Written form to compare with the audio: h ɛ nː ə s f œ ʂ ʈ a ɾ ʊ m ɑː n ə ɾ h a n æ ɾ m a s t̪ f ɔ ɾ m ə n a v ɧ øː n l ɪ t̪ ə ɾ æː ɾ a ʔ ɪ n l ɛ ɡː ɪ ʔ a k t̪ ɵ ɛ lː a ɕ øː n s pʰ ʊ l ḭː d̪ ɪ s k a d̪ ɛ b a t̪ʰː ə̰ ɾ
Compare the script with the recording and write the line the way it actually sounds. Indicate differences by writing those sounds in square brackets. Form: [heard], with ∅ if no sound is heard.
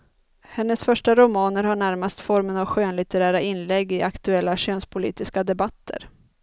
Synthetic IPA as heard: h ɛ nː ə s f œ ʂ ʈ a ɾ ʊ m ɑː n ə ɾ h a [ɳ] æ ɾ m a s t̪ f ɔ ɾ m ə n a v ɧ øː n l ɪ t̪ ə ɾ æː ɾ a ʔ ɪ n l ɛ ɡː ɪ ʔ a k t̪ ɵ ɛ lː a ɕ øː n s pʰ ʊ l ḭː [t̪] ɪ s k a d̪ ɛ b a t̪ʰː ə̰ ɾ